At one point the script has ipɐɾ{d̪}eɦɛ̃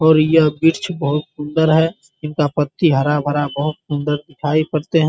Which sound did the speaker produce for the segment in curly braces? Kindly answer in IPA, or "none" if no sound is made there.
t̪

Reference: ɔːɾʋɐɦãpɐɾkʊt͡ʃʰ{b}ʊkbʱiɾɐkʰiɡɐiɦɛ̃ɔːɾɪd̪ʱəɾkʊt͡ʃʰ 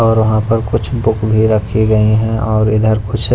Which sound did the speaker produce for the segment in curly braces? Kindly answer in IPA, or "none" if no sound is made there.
b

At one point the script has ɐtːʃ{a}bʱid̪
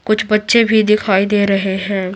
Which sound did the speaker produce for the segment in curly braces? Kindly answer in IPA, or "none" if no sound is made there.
e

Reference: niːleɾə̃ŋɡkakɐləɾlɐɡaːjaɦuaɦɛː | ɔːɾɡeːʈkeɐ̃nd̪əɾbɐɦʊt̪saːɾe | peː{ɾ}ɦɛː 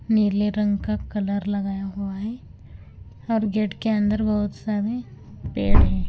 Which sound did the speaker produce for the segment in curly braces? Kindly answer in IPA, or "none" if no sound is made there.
ɽ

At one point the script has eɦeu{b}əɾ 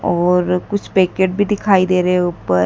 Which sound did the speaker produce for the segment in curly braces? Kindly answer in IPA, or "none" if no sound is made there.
p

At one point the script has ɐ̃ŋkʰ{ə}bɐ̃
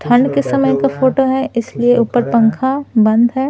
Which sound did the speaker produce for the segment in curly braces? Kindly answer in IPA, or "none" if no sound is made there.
a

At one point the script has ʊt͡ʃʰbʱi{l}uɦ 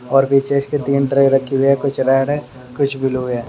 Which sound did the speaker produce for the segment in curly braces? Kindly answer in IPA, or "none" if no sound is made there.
l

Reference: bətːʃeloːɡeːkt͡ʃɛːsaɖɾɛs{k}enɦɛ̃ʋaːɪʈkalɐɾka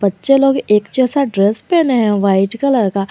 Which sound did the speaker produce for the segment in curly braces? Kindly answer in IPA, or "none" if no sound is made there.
p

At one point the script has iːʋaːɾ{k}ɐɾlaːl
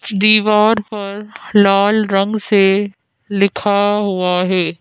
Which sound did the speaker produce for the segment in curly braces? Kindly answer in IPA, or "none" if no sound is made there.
p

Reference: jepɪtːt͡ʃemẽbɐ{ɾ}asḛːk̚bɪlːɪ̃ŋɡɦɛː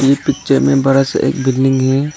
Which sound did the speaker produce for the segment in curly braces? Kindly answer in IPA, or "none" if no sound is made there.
ɾ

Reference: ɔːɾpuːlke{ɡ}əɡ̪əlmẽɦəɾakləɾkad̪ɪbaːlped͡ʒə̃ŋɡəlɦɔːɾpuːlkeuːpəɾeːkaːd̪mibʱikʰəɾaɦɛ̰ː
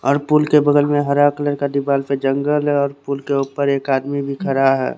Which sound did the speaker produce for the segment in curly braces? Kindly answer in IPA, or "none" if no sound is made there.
b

